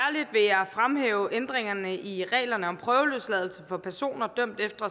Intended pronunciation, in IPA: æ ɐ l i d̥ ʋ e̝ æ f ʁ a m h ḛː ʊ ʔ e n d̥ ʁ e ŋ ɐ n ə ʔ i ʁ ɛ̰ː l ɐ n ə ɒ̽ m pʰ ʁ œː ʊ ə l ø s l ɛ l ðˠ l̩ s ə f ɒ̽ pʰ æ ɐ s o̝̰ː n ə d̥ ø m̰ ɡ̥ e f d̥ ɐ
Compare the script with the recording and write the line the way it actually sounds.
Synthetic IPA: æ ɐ l i d̥ ʋ e̝ æ f ʁ a m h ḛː ʊ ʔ e n d̥ ʁ e ŋ ɐ n ə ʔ i ʁ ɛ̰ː l ɐ n ə ɒ̽ m pʰ ʁ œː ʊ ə l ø s l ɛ ðˠ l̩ s ə f ɒ̽ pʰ æ ɐ s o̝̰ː n ɐ d̥ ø m̰ d̥ e f d̥ ɐ